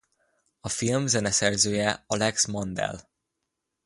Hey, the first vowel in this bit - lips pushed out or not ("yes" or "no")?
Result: yes